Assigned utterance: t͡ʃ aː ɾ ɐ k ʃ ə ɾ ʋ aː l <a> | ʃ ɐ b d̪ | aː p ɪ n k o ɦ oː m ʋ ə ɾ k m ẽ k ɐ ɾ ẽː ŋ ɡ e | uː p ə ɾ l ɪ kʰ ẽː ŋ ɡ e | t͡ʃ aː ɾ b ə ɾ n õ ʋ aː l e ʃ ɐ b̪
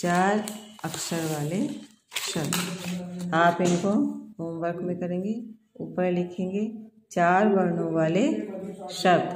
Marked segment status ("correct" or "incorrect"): incorrect